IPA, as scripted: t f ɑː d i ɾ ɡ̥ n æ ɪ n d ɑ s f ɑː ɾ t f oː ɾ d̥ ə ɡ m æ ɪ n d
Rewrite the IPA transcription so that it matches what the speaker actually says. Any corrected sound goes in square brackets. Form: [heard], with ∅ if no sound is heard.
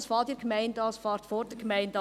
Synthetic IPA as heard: [s] f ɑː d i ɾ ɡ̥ [m] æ ɪ n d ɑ s f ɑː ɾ t f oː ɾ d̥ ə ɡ m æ ɪ n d